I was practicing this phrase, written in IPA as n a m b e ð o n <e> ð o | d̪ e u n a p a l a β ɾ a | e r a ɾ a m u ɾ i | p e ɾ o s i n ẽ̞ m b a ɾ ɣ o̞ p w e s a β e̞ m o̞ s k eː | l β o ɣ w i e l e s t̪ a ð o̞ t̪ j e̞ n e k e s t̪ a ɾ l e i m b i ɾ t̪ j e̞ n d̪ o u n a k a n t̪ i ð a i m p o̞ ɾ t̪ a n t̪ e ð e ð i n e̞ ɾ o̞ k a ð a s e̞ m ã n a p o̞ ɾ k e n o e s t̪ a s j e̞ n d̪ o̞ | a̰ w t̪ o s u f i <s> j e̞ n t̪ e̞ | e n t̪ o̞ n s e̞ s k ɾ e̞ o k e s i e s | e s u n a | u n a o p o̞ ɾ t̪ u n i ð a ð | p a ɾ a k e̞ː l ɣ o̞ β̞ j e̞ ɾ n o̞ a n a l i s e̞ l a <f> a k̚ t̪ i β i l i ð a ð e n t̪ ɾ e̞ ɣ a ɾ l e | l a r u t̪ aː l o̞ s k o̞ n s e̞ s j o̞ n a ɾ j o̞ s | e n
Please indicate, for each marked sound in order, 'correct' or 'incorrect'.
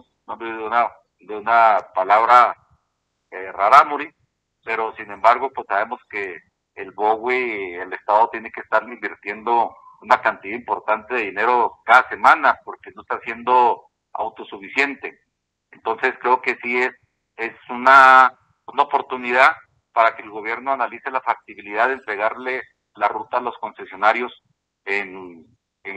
incorrect, correct, correct

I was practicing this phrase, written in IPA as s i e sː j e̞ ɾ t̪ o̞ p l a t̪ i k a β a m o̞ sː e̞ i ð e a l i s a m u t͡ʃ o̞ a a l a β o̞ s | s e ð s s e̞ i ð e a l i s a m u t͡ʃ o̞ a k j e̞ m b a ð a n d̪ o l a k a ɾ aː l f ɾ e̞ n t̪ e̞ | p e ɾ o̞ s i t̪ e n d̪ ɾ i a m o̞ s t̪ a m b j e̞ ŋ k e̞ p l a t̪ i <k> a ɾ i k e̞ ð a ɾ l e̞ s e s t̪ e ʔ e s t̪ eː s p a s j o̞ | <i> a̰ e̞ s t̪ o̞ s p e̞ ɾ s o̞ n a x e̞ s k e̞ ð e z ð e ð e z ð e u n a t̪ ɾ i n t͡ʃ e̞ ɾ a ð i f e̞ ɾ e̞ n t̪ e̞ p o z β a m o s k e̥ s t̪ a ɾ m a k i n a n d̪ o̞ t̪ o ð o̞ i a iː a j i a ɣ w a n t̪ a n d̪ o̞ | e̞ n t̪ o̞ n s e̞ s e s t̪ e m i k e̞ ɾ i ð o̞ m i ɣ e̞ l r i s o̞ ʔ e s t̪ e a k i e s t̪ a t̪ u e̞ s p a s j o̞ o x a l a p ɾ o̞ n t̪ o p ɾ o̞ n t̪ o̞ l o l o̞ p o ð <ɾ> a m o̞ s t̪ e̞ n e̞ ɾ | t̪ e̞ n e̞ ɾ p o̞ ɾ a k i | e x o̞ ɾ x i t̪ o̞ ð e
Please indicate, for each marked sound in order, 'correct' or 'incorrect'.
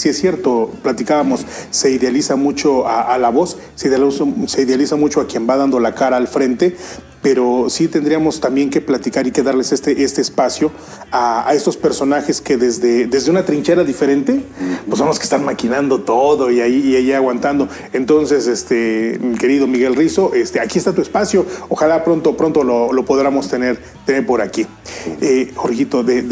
correct, incorrect, correct

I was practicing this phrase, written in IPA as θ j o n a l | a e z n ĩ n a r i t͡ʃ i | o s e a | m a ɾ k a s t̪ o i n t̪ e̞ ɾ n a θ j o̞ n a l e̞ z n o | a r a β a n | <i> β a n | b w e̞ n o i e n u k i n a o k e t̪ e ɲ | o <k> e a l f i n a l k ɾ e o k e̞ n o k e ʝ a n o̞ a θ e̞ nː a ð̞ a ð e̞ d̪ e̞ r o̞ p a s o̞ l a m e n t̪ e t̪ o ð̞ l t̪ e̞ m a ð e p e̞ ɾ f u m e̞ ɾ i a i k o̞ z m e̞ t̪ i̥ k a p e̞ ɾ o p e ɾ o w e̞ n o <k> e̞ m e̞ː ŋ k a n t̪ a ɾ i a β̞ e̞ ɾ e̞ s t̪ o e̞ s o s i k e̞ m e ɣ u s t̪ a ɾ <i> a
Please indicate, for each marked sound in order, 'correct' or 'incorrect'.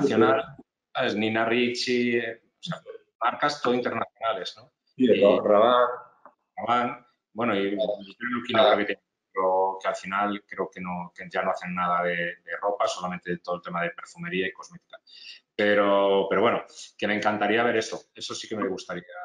incorrect, correct, correct, correct

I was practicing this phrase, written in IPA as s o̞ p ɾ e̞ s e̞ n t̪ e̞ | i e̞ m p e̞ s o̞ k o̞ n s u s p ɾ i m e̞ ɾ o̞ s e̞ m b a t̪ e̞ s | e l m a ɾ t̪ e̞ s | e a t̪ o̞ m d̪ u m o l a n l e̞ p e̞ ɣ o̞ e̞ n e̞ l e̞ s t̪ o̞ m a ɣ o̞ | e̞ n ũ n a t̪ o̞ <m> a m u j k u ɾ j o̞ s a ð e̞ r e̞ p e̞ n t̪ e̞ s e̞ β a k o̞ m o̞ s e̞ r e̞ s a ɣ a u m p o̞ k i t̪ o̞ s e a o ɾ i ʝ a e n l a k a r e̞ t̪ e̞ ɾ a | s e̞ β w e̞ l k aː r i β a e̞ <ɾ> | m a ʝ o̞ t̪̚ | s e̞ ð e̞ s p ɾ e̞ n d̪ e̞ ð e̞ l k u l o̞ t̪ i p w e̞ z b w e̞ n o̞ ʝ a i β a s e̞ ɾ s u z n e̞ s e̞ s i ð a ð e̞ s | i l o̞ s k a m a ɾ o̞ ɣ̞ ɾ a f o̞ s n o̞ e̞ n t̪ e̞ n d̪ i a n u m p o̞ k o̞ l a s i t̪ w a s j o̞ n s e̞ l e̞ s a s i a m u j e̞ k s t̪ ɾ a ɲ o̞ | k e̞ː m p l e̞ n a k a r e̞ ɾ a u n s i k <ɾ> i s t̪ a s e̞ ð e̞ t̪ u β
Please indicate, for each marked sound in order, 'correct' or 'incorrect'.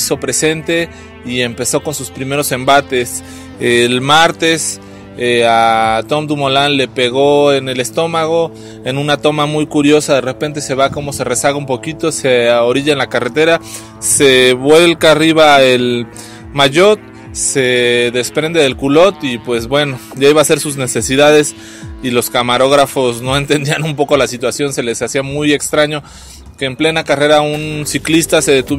correct, incorrect, incorrect

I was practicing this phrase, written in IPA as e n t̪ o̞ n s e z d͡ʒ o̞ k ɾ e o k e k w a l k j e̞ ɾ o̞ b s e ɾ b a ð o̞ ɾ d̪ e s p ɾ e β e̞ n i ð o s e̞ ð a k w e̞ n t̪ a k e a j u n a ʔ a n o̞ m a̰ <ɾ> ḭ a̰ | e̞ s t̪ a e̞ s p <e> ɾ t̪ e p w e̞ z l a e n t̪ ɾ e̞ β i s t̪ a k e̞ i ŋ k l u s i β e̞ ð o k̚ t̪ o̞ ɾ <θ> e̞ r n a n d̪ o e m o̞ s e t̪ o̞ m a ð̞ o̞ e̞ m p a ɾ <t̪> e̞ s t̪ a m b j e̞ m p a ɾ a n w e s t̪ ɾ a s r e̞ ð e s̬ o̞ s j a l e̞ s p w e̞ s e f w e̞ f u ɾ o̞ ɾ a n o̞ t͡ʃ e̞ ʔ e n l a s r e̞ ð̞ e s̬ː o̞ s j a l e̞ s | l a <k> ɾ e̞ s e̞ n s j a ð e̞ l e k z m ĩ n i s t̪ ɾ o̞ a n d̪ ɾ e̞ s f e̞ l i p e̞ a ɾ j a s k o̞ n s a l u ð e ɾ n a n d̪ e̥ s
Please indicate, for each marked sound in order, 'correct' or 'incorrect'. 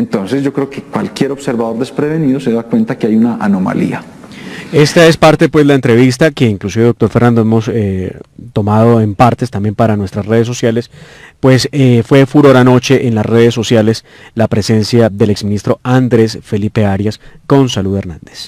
incorrect, incorrect, incorrect, correct, incorrect

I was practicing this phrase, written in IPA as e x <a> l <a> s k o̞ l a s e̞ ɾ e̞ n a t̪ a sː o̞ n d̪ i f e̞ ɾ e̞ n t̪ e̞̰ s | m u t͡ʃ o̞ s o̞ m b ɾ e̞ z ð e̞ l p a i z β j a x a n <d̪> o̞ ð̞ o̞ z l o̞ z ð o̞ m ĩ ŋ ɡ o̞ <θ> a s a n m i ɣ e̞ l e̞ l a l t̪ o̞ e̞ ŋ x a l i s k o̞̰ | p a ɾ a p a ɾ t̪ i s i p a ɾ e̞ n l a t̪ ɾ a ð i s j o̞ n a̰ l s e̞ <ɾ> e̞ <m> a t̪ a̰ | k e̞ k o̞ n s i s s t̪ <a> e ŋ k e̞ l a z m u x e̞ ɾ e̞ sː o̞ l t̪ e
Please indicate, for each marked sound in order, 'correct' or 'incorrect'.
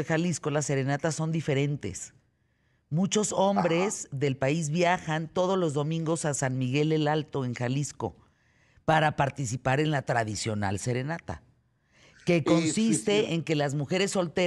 correct, incorrect, incorrect, incorrect, correct, incorrect, incorrect

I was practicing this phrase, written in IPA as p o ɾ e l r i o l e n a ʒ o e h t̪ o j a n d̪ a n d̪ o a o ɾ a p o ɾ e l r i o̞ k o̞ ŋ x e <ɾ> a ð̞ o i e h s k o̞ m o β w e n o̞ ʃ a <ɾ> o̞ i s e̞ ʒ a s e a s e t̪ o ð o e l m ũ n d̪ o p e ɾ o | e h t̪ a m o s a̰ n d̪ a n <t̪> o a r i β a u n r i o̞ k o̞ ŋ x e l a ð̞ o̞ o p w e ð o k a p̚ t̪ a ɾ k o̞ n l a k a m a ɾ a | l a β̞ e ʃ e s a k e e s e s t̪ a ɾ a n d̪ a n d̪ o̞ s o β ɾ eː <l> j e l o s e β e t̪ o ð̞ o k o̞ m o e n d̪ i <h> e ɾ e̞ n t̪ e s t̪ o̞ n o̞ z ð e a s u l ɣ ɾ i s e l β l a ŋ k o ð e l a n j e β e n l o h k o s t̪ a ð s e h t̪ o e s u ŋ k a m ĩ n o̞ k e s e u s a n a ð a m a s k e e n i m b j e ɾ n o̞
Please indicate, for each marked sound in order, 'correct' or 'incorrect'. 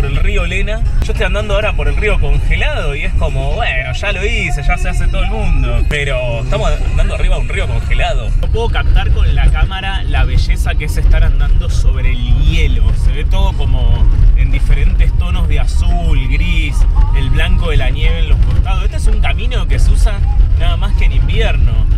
incorrect, incorrect, incorrect, correct, incorrect

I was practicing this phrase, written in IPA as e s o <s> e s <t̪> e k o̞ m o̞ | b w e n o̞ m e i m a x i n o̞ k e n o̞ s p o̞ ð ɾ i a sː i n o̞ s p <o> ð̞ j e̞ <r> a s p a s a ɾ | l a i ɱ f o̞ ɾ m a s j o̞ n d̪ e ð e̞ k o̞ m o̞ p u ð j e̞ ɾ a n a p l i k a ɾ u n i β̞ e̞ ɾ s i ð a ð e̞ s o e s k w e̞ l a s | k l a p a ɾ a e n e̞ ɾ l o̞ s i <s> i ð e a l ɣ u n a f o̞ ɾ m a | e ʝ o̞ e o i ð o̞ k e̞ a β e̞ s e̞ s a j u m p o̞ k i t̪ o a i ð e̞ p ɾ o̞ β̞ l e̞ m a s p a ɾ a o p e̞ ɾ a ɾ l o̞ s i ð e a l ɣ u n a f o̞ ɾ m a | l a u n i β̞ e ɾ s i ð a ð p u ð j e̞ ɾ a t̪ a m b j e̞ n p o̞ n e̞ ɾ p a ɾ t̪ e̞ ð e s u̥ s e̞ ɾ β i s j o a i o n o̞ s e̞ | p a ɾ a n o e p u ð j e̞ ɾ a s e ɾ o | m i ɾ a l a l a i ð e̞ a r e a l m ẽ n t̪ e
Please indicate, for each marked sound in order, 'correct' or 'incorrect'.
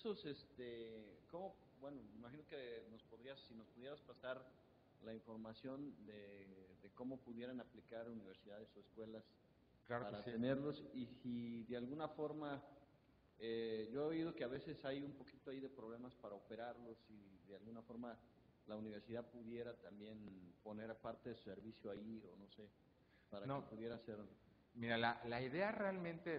correct, correct, incorrect, incorrect, correct

